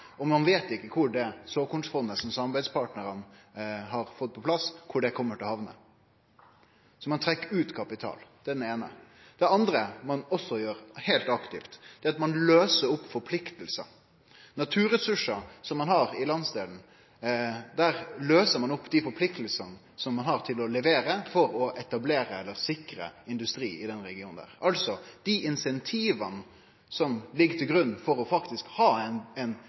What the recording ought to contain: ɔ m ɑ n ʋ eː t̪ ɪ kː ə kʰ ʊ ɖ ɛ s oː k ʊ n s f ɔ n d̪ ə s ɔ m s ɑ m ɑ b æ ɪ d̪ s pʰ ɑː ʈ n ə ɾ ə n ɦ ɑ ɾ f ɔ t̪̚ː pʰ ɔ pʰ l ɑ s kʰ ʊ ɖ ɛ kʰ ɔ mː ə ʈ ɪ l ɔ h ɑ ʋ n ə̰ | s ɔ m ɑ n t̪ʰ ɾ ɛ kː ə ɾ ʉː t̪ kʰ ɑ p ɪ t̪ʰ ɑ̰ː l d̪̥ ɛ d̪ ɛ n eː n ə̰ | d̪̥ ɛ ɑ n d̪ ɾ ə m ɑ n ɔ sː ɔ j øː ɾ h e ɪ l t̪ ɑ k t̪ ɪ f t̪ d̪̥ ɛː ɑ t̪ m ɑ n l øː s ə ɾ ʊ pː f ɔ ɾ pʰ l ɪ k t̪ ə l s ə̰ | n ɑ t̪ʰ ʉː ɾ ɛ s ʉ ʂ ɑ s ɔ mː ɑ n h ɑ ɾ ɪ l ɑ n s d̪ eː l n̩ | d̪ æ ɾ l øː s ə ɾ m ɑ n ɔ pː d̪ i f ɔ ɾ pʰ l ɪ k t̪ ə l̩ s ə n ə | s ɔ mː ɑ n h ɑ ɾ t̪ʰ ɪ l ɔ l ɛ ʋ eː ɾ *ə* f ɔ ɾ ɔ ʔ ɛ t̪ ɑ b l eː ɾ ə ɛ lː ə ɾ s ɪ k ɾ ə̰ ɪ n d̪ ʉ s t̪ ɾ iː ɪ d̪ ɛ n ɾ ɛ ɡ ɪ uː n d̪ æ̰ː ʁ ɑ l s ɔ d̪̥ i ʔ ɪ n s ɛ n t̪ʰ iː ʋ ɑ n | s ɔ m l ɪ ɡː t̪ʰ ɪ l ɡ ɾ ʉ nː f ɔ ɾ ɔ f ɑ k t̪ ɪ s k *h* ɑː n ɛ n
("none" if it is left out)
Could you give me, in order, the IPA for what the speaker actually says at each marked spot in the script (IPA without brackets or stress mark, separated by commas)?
ə, h